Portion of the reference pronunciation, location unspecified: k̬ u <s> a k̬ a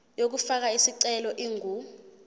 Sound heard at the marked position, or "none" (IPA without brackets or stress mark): f